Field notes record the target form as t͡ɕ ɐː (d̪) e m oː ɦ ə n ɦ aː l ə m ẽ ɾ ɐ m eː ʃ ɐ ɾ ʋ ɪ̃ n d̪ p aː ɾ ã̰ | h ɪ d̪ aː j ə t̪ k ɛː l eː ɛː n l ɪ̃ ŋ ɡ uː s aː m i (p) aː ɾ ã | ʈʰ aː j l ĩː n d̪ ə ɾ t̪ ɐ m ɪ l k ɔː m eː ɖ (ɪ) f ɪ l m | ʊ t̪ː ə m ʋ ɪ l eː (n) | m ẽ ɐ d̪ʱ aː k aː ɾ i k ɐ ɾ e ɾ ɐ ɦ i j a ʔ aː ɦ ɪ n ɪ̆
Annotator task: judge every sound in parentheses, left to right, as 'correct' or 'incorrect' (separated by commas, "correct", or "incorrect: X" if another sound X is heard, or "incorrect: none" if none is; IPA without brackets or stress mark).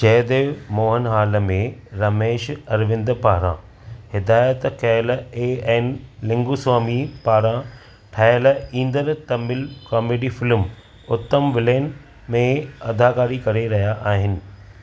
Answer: correct, correct, incorrect: i, correct